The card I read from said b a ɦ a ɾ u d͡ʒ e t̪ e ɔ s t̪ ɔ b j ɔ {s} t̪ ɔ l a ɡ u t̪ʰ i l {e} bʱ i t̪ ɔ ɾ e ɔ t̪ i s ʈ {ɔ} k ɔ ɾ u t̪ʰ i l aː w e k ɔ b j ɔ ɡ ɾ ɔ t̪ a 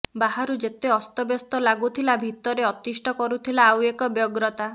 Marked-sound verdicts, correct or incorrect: correct, incorrect, correct

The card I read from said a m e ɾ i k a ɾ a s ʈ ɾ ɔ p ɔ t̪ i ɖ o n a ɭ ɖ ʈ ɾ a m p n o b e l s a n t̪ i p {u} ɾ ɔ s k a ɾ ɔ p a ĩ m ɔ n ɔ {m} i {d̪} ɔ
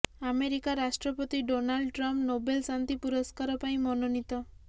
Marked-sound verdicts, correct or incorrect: correct, incorrect, incorrect

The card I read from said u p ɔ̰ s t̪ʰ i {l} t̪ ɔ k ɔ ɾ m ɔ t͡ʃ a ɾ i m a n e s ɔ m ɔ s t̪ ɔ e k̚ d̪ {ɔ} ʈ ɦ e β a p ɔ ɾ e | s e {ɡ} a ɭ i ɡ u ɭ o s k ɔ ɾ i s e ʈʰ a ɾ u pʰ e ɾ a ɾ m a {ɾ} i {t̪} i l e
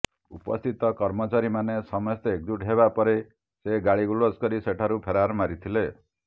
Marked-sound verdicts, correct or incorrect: incorrect, incorrect, correct, correct, incorrect

